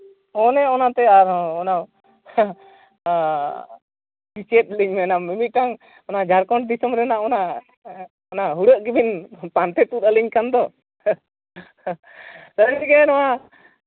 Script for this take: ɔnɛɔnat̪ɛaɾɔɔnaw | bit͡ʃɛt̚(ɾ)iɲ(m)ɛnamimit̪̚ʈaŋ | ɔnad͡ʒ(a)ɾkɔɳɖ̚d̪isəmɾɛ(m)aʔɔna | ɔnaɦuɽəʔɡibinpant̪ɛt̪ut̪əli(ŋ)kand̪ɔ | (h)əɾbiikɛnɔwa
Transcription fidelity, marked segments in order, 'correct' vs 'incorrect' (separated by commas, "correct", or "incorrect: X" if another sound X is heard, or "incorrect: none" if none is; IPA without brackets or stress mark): incorrect: l, correct, correct, incorrect: n, incorrect: ɲ, incorrect: s